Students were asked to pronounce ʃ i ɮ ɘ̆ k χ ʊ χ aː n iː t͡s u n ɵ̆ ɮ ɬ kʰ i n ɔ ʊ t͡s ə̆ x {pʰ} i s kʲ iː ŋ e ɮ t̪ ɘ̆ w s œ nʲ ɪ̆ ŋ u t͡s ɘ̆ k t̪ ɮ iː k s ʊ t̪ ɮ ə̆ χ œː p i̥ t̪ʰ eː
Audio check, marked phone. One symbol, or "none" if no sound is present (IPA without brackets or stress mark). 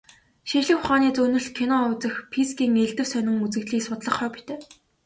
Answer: pʰ